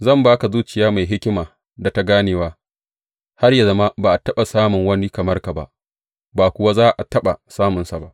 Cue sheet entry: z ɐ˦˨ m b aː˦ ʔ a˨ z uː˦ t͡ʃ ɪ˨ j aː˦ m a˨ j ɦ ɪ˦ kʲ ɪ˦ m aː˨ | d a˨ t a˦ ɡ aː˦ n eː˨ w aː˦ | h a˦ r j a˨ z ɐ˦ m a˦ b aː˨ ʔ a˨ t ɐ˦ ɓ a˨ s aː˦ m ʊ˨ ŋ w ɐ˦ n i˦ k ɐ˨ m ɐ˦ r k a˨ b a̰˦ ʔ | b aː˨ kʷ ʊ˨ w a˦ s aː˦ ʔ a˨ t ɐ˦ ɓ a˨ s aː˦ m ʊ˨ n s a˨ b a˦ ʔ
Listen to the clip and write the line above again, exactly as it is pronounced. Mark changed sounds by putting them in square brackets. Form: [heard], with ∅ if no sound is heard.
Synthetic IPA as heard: z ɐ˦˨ m b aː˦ [k] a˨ z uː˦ t͡ʃ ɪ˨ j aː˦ m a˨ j ɦ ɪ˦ kʲ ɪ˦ m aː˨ | d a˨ t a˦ ɡ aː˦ n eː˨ w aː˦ | h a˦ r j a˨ z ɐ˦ m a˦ b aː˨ ʔ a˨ t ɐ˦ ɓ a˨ s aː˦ m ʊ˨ ŋ w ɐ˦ n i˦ k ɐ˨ m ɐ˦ r k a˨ b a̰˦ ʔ | b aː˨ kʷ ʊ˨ w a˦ [z] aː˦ ʔ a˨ t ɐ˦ ɓ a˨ s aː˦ m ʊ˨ n s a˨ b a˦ ʔ